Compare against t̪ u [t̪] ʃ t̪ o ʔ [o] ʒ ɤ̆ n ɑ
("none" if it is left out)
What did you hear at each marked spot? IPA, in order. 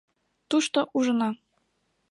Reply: none, u

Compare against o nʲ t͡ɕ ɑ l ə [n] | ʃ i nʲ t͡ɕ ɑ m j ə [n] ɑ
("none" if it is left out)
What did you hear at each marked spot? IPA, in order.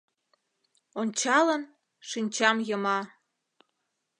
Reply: n, m

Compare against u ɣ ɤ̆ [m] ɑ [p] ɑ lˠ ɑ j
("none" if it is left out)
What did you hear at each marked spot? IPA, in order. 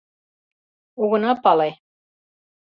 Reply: n, p

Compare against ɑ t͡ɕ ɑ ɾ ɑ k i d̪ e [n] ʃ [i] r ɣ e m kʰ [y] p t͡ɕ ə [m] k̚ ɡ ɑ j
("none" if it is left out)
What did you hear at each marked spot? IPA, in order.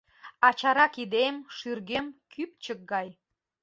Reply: m, y, y, none

